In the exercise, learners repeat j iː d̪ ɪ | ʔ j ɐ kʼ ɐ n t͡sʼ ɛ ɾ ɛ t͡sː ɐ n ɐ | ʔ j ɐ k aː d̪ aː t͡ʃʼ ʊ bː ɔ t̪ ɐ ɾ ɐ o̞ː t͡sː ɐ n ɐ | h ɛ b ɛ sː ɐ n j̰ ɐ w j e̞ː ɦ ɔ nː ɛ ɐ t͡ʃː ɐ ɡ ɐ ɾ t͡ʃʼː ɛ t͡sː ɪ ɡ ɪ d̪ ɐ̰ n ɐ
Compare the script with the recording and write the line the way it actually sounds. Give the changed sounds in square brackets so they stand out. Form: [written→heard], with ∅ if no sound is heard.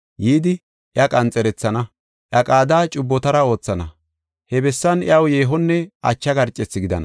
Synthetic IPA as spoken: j iː d̪ ɪ | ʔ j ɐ kʼ ɐ n t͡sʼ ɛ ɾ ɛ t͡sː ɐ n ɐ | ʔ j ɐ [k→kʼ] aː d̪ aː t͡ʃʼ ʊ bː ɔ t̪ ɐ ɾ ɐ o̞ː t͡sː ɐ n ɐ | h ɛ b ɛ sː ɐ n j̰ ɐ w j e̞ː ɦ ɔ nː ɛ ɐ t͡ʃː ɐ ɡ ɐ ɾ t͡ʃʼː ɛ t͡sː ɪ ɡ ɪ d̪ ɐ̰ n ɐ

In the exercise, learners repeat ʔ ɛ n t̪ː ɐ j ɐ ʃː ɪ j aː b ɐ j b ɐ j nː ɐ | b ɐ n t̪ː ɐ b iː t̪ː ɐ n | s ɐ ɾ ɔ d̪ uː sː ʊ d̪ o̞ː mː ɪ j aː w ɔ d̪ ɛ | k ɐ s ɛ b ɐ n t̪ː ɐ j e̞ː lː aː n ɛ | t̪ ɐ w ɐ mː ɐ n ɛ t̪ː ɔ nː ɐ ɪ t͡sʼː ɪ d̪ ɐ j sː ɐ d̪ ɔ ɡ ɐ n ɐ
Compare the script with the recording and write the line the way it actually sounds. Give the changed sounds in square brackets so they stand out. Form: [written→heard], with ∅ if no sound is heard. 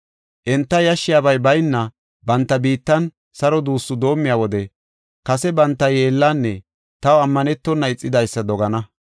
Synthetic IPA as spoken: ʔ ɛ n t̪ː ɐ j ɐ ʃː ɪ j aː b ɐ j b ɐ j nː ɐ | b ɐ n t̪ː ɐ b iː t̪ː ɐ n | s ɐ ɾ ɔ d̪ uː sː ʊ d̪ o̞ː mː ɪ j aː w ɔ d̪ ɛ | k ɐ s ɛ b ɐ n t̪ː ɐ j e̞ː lː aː [n→nː] ɛ | t̪ ɐ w ɐ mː ɐ n ɛ t̪ː ɔ nː ɐ ɪ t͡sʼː ɪ d̪ ɐ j sː ɐ d̪ ɔ ɡ ɐ n ɐ

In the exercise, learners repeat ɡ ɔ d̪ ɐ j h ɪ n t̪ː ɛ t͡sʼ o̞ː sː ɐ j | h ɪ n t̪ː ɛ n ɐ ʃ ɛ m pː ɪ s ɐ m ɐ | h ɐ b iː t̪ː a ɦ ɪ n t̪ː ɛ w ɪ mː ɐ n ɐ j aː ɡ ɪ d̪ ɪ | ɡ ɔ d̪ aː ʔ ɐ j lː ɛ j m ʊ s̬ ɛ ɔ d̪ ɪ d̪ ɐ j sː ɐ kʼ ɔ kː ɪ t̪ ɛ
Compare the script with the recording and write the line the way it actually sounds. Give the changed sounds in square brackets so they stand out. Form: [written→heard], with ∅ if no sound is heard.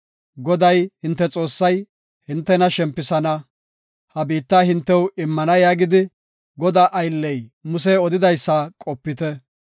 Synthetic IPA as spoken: ɡ ɔ d̪ ɐ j h ɪ n t̪ː ɛ t͡sʼ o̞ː sː ɐ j | h ɪ n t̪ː ɛ n ɐ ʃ ɛ m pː ɪ s ɐ [m→n] ɐ | h ɐ b iː t̪ː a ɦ ɪ n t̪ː ɛ w ɪ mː ɐ n ɐ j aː ɡ ɪ d̪ ɪ | ɡ ɔ d̪ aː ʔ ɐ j lː ɛ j m ʊ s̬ ɛ ɔ d̪ ɪ d̪ ɐ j sː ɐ kʼ ɔ [kː→pː] ɪ t̪ ɛ

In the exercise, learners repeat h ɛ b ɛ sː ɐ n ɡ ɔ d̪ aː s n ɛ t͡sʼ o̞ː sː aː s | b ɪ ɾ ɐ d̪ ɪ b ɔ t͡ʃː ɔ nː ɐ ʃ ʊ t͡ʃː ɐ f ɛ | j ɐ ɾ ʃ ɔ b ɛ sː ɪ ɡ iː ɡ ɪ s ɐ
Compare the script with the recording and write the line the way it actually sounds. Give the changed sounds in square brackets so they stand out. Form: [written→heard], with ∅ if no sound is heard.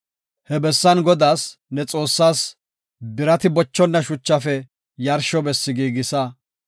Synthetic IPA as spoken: h ɛ b ɛ sː ɐ n ɡ ɔ d̪ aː s n ɛ t͡sʼ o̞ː sː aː s | b ɪ ɾ ɐ [d̪→t̪] ɪ b ɔ t͡ʃː ɔ nː ɐ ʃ ʊ t͡ʃː ɐ f ɛ | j ɐ ɾ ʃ ɔ b ɛ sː ɪ ɡ iː ɡ ɪ s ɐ

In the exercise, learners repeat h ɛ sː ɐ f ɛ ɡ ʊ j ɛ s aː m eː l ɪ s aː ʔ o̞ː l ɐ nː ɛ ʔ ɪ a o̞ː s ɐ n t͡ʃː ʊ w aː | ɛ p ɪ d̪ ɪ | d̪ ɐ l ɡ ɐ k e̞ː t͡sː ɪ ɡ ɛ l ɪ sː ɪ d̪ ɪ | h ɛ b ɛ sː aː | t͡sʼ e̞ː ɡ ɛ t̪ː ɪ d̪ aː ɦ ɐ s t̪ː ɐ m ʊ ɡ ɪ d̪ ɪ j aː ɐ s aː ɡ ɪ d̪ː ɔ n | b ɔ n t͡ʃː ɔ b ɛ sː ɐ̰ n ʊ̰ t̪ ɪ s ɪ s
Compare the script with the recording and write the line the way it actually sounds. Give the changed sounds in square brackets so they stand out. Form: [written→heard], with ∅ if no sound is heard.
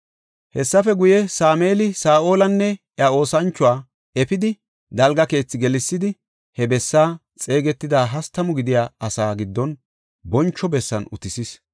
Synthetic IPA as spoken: h ɛ sː ɐ f ɛ ɡ ʊ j ɛ s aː m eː l ɪ s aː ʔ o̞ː l ɐ nː ɛ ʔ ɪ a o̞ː s ɐ n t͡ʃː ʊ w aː | ɛ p ɪ d̪ ɪ | d̪ ɐ l ɡ ɐ k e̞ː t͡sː ɪ ɡ ɛ l ɪ sː ɪ d̪ ɪ | h ɛ b ɛ sː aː | t͡sʼ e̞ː ɡ ɛ t̪ː ɪ d̪ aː ɦ ɐ s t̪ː ɐ m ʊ ɡ ɪ d̪ ɪ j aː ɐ s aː ɡ ɪ d̪ː ɔ n | b ɔ n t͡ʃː ɔ b ɛ sː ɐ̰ n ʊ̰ t̪ ɪ s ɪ s

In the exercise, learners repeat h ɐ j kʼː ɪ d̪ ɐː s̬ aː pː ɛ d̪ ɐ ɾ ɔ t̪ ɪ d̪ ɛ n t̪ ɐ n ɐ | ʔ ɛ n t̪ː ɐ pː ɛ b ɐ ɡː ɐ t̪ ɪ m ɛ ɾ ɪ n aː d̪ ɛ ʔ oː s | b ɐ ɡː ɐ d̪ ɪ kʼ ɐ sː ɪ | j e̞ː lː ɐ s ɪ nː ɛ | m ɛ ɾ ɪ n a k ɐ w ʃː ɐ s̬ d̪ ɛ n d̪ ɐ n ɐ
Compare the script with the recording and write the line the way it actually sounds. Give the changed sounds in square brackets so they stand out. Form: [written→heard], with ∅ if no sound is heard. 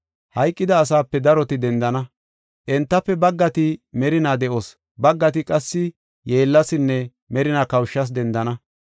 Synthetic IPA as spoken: h ɐ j kʼː ɪ d̪ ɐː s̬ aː pː ɛ d̪ ɐ ɾ ɔ t̪ ɪ d̪ ɛ n [t̪→d̪] ɐ n ɐ | ʔ ɛ n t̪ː ɐ pː ɛ b ɐ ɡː ɐ t̪ ɪ m ɛ ɾ ɪ n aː d̪ ɛ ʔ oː s | b ɐ ɡː ɐ [d̪→t̪] ɪ kʼ ɐ sː ɪ | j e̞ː lː ɐ s ɪ nː ɛ | m ɛ ɾ ɪ n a k ɐ w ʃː ɐ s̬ d̪ ɛ n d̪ ɐ n ɐ

